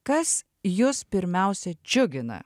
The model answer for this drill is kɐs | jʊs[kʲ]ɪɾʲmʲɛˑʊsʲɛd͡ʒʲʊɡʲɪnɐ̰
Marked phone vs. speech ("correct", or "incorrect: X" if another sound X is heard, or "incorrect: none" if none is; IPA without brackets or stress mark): incorrect: pʲ